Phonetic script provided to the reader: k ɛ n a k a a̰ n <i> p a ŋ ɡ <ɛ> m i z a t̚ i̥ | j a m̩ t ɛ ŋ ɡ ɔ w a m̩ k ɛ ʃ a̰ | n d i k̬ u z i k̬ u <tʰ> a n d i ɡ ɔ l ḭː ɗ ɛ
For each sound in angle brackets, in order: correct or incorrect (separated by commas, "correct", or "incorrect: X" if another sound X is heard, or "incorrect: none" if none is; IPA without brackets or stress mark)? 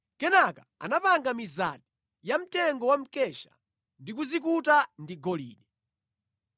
incorrect: a, incorrect: a, incorrect: t